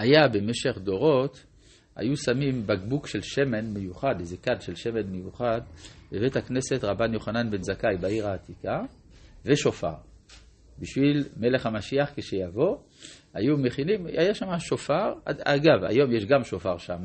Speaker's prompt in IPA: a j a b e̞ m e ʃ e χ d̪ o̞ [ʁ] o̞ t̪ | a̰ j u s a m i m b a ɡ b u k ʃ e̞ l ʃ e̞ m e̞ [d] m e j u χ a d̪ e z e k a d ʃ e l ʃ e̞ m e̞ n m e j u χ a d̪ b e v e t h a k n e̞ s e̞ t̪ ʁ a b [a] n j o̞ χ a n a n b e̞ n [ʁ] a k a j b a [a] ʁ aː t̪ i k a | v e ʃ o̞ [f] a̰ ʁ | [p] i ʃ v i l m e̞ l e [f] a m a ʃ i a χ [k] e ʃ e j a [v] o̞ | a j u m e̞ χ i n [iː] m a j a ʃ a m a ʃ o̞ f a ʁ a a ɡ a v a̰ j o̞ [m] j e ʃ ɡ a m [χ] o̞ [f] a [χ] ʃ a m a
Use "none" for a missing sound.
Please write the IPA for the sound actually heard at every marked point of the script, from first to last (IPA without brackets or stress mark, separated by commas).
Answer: ʁ, n, a, z, i, f, b, χ, k, v, i, m, ʃ, f, ʁ